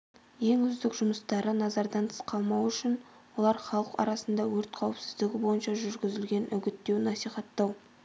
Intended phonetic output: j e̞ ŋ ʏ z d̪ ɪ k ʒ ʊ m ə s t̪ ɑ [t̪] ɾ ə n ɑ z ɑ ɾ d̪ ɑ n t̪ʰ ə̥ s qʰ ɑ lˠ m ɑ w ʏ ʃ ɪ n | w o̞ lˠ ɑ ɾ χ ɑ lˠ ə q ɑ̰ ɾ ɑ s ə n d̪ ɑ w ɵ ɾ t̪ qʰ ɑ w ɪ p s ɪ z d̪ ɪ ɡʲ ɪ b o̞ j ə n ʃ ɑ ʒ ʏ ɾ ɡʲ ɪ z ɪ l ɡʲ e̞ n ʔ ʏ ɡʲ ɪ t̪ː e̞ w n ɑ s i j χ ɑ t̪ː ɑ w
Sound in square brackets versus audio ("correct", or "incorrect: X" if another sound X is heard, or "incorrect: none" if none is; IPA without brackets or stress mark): incorrect: none